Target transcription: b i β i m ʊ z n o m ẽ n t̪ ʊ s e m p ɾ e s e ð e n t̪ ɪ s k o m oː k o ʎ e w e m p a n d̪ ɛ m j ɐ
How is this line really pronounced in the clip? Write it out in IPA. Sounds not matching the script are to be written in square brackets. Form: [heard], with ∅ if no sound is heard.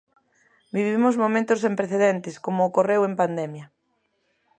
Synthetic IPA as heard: b i β i m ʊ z [m] o m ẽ n t̪ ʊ s e m p ɾ e [θ] e ð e n t̪ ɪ s k o m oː k o [r] e w e m p a n d̪ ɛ m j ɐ